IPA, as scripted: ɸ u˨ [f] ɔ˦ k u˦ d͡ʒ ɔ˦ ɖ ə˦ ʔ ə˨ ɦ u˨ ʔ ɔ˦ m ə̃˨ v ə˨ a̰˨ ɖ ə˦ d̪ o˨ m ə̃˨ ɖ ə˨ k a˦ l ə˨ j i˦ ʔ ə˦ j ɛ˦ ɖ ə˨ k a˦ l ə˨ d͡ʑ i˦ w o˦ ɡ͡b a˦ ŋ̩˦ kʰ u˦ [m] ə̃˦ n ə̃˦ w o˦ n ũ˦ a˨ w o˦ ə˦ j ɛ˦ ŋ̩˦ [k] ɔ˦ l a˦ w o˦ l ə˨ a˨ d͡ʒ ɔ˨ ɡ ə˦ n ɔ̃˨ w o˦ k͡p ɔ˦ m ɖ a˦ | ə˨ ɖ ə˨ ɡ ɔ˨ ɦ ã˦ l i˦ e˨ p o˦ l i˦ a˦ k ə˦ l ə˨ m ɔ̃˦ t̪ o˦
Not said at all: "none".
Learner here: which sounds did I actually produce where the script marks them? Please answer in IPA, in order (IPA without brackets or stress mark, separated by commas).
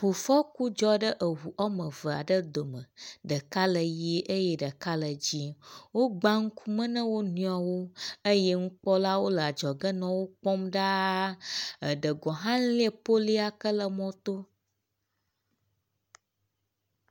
f, m, k͡p